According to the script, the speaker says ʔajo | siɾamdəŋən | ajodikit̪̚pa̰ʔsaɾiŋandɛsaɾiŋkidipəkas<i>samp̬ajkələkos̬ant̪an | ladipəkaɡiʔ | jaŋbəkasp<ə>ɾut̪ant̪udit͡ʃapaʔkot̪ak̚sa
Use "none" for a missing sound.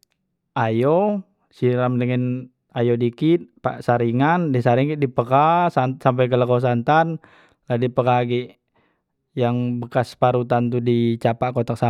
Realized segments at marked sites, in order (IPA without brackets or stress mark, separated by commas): a, a